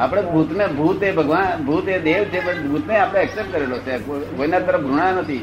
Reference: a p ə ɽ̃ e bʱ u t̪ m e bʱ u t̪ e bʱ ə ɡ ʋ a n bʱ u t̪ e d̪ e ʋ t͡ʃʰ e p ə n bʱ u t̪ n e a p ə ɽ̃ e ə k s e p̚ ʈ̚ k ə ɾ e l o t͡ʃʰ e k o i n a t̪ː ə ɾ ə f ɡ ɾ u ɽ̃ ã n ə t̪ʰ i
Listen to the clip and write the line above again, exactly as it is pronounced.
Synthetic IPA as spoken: a p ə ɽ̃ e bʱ u t̪ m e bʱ u t̪ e bʱ ə ɡ ʋ a n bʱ u t̪ e d̪ e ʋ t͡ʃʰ e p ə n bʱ u t̪ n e a p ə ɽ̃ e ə k s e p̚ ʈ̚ k ə ɾ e l o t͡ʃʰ e k o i n a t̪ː ə ɾ ə f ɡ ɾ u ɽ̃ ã n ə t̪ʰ i